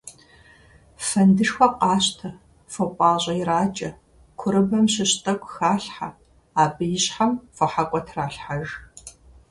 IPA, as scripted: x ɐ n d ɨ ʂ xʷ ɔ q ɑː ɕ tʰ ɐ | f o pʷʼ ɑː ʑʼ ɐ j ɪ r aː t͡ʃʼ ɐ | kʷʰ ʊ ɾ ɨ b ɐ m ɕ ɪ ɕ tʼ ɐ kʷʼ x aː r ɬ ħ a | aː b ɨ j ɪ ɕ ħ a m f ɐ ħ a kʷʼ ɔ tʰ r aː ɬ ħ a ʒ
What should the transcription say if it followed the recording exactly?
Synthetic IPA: f ɐ n d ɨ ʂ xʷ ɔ q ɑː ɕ tʰ ɐ | f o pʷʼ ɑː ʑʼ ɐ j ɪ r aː t͡ʃʼ ɐ | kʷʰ ʊ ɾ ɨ b ɐ m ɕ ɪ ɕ tʼ ɐ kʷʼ x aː ɬ ħ a | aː b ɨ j ɪ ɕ ħ a m f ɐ ħ a kʷʼ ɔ tʰ r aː ɬ ħ a ʒ

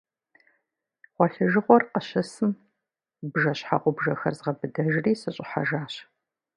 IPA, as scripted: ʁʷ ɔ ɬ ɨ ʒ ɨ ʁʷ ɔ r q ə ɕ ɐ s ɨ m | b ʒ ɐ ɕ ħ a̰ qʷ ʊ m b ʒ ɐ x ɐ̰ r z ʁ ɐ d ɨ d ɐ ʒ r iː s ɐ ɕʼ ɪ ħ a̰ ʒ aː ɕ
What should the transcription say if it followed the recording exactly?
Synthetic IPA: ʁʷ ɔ ɬ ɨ ʒ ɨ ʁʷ ɔ r q ə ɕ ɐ s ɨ m | b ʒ ɐ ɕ ħ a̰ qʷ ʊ b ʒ ɐ x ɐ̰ r z ʁ ɐ b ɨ d ɐ ʒ r iː s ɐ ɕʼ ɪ ħ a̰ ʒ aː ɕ

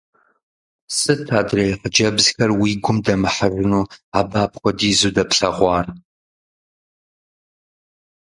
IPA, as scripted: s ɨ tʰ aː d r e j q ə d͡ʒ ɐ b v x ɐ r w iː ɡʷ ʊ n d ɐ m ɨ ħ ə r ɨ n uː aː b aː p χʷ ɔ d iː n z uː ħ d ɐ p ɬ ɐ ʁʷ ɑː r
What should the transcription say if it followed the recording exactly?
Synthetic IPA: s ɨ tʰ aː d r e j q ə d͡ʒ ɐ b z x ɐ r w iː ɡʷ ʊ m d ɐ m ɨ ħ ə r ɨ n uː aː b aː p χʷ ɔ d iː z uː d ɐ p ɬ ɐ ʁʷ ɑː r

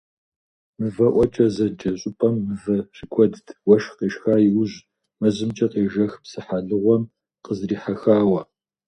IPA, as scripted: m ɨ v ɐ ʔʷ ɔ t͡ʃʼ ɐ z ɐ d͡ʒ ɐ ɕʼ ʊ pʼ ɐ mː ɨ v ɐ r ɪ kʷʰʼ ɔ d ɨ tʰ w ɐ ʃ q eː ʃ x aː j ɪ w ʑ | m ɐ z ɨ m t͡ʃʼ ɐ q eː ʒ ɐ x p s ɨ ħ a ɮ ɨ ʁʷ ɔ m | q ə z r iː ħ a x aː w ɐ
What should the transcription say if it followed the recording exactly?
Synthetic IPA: m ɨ v ɐ ʔʷ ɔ t͡ʃʼ ɐ z ɐ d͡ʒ ɐ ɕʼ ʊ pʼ ɐ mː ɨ v ɐ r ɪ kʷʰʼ ɔ d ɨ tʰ w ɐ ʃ q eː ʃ x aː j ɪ w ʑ | m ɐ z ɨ m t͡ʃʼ ɐ q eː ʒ ɐ x p s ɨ ħ a ɮ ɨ ʁʷ ɔ m | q ə z r iː ħ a x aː w ɐ

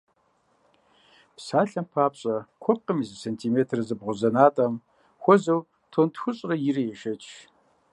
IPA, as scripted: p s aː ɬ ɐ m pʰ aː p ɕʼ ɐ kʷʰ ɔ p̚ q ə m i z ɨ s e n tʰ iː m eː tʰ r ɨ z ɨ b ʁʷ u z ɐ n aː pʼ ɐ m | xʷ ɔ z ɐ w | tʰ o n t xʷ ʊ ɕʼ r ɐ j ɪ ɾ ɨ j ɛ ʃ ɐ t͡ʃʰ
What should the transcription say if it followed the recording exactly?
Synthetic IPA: p s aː ɬ ɐ m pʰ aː p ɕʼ ɐ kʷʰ ɔ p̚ q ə m i z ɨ s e n tʰ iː m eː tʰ r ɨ z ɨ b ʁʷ ʊ z ɐ n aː tʼ ɐ m | xʷ ɔ z ɐ w | tʰ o n t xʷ ʊ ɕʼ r ɐ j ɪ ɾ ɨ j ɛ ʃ ɐ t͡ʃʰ

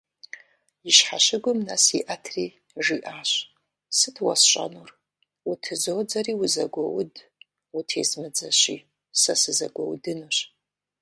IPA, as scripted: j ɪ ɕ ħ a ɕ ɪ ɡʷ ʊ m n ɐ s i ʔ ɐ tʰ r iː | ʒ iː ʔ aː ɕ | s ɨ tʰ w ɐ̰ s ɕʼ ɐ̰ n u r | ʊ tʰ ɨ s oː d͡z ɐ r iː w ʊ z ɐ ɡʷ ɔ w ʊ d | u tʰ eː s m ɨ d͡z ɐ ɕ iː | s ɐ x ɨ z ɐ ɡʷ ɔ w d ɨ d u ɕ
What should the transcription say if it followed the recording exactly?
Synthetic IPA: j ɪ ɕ ħ a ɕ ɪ ɡʷ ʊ m n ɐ s i ʔ ɐ tʰ r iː | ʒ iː ʔ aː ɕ | s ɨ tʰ w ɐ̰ s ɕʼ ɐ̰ n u r | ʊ tʰ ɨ z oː d͡z ɐ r iː w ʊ z ɐ ɡʷ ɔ w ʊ d | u tʰ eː z m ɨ d͡z ɐ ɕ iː | s ɐ s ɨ z ɐ ɡʷ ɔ w d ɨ n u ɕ

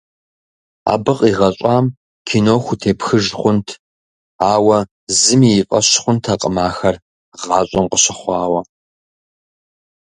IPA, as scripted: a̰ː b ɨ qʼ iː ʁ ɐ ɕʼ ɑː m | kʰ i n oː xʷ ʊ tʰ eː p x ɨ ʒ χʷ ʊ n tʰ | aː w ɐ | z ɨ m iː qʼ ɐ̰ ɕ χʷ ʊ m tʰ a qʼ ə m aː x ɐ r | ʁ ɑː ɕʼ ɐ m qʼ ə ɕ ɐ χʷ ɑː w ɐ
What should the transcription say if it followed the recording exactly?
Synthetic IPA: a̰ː b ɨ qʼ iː ʁ ɐ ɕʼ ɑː m | kʰ i n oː xʷ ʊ tʰ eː p x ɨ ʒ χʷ ʊ n tʰ | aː w ɐ | z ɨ m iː qʼ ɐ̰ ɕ χʷ ʊ n tʰ a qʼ ə m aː x ɐ r | ʁ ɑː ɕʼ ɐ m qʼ ə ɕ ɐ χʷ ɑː w ɐ

